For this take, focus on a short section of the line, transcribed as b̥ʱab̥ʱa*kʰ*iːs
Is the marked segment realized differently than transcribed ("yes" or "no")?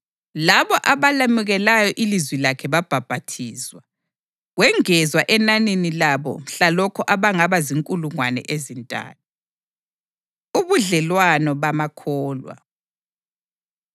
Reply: yes